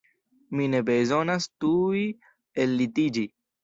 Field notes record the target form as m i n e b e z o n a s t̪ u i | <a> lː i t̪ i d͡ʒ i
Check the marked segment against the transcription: incorrect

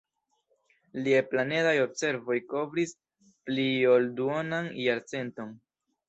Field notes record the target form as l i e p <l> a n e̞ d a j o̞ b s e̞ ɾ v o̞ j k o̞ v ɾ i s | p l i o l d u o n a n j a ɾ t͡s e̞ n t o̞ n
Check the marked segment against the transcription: correct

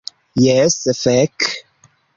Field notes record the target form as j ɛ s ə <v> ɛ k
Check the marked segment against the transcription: incorrect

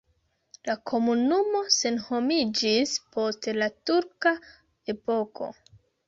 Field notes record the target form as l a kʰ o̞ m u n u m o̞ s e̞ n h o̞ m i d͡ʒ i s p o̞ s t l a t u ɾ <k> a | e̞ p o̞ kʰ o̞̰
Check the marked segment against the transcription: correct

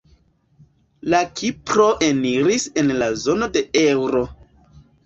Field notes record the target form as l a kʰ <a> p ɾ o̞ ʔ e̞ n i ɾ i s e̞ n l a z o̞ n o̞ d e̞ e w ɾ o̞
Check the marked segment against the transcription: incorrect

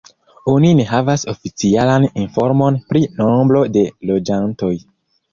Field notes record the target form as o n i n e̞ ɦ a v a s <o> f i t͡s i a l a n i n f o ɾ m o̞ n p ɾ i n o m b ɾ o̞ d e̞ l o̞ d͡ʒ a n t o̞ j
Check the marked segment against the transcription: correct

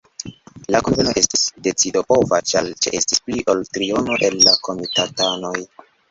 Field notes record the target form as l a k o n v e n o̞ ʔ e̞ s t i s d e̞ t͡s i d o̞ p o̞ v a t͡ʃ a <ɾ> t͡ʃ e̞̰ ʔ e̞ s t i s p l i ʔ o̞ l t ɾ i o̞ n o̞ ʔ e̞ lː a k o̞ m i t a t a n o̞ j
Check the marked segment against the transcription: incorrect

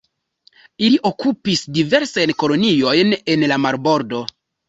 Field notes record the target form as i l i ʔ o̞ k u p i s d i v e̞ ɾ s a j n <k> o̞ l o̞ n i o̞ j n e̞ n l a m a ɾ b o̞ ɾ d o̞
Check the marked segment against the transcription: correct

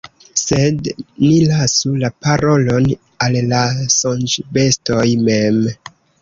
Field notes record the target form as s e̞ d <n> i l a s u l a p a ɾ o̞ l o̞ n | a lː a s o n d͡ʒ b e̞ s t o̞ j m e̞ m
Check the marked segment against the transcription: correct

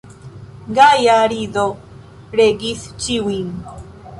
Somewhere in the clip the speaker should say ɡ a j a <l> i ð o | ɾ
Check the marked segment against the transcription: incorrect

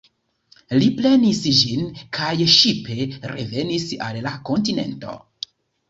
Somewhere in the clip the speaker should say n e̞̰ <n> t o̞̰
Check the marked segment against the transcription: correct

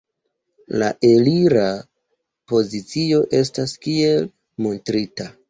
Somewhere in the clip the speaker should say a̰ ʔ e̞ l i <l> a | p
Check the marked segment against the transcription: incorrect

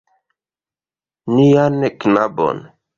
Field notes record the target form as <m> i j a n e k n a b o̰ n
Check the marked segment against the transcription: incorrect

